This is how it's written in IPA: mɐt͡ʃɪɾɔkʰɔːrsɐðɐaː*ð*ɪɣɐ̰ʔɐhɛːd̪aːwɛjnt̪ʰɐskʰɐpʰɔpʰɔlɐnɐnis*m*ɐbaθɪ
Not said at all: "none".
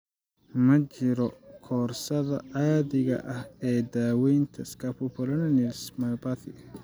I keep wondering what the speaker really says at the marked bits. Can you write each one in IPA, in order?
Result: ð, m

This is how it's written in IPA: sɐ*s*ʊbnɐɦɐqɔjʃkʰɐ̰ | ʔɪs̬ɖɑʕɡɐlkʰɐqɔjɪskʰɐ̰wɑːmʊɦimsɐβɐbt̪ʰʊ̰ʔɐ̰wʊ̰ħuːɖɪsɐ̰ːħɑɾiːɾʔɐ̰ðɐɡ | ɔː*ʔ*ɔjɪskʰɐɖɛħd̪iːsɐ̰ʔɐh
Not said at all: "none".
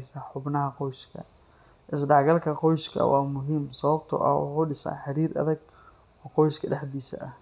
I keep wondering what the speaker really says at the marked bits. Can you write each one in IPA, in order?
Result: ħ, q

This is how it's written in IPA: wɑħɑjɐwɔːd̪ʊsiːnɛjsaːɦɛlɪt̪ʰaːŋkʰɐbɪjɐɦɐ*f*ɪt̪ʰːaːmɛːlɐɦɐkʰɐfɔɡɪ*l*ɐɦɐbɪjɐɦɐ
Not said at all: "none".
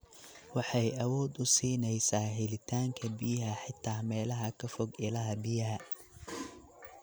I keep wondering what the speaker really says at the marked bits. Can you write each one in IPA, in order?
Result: ħ, l

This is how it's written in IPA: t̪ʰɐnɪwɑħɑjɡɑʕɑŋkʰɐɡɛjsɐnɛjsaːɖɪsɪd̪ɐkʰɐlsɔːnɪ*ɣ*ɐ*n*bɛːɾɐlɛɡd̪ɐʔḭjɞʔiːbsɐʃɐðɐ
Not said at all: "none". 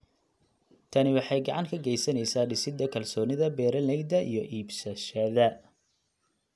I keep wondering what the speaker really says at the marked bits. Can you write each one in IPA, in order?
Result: ð, none

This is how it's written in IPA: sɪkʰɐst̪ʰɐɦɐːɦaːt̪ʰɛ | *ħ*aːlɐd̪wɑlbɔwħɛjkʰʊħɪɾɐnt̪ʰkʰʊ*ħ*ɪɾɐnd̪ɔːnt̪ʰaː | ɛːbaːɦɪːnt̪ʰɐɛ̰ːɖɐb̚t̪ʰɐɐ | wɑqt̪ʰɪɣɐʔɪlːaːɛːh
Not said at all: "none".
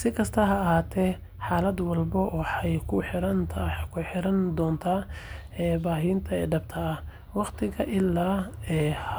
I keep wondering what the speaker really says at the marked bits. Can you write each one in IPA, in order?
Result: ħ, ħ

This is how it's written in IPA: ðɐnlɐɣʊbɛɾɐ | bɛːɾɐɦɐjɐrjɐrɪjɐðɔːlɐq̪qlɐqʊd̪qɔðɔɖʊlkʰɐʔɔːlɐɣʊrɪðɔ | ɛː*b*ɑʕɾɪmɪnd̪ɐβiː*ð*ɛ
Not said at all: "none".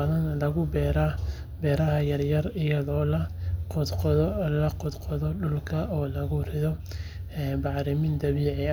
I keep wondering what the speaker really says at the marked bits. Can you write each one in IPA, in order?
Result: b, ʕ

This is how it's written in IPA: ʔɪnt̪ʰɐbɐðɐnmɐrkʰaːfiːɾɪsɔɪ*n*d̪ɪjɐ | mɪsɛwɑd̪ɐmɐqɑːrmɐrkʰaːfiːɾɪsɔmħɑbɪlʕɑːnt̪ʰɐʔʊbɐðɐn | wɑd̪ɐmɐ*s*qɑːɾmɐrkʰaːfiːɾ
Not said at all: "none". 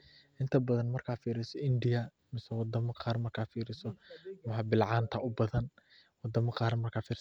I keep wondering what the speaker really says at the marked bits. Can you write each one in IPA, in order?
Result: n, none

